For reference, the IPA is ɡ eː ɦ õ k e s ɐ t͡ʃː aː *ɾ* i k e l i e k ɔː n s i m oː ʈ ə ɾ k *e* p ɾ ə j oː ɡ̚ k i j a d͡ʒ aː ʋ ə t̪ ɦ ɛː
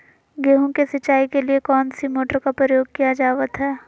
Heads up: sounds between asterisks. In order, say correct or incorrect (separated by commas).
incorrect, incorrect